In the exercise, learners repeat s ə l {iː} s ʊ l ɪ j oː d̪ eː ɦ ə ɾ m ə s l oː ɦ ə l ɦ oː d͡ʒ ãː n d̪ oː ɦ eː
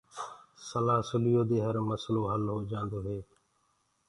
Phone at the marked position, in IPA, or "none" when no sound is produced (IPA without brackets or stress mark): aː